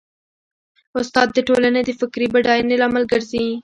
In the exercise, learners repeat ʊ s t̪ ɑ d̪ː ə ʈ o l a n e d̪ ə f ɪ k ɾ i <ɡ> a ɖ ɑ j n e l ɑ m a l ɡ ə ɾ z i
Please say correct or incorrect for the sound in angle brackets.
incorrect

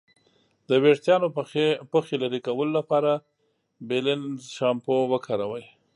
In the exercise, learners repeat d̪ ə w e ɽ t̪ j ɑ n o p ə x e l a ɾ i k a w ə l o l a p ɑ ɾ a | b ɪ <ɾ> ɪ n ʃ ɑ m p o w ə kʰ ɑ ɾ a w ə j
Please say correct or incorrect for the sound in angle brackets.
incorrect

